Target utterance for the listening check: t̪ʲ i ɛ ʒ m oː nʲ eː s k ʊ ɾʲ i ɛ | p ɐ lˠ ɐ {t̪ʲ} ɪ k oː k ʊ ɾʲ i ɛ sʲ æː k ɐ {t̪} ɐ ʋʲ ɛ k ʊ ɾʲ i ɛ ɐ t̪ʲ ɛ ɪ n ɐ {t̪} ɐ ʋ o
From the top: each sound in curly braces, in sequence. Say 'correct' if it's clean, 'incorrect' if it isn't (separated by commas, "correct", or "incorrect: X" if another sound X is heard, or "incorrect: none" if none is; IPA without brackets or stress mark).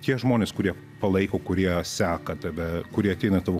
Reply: incorrect: none, correct, correct